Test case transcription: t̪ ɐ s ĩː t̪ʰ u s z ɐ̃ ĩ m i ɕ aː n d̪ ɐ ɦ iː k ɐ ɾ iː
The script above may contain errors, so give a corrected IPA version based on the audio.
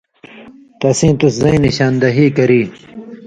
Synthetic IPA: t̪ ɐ s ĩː t̪ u s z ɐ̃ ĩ n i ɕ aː n d̪ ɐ ɦ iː k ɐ ɾ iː